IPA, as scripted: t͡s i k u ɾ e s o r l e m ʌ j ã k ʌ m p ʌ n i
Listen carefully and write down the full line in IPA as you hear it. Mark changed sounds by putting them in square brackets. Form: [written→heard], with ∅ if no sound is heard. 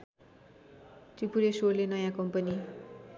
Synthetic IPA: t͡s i [k→p] u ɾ e s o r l e [m→n] ʌ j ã k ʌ m p ʌ n i

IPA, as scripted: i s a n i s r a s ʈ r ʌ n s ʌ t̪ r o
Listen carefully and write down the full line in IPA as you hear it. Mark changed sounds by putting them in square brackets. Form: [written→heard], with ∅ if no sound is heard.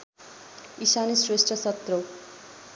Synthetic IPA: i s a n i s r [a→e] s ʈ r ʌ [n→∅] s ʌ t̪ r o

